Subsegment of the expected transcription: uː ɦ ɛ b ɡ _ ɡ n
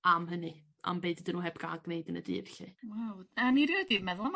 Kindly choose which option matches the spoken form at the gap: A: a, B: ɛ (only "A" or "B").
A